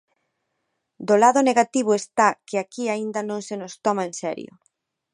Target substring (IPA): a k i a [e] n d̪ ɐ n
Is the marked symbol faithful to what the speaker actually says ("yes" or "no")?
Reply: no